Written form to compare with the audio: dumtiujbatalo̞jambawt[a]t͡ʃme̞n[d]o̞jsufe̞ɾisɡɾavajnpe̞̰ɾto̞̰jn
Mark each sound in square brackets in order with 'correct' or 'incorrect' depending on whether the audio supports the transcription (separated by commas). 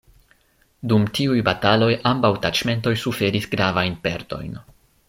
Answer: correct, incorrect